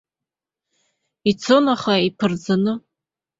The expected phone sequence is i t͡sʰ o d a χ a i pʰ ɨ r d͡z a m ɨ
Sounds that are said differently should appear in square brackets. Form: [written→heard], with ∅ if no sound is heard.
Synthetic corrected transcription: i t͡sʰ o [d→n] a χ a i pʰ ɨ r d͡z a [m→n] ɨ